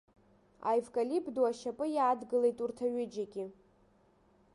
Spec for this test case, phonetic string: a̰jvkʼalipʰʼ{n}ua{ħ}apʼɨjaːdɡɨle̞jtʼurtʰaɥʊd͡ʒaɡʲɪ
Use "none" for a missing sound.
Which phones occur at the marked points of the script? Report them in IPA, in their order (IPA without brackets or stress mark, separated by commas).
d, ʃ